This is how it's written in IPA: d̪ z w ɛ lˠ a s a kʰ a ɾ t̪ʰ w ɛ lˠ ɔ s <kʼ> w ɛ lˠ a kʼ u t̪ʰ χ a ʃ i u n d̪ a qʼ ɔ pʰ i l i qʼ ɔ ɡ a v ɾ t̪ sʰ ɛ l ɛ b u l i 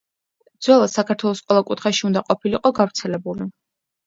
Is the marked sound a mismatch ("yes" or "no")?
yes